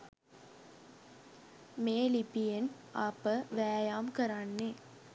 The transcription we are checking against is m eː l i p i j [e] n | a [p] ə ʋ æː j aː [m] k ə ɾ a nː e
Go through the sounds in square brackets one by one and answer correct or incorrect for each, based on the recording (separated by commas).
correct, correct, correct